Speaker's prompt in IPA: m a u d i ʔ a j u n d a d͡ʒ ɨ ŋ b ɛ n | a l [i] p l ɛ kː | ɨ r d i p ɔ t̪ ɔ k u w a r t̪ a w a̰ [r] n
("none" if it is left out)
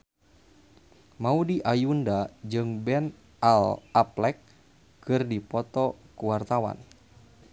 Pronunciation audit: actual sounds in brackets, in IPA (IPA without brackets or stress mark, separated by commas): a, none